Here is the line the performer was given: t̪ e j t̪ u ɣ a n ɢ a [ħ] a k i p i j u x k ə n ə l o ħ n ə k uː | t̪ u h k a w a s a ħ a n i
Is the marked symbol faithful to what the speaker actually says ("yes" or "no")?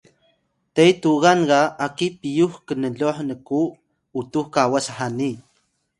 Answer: no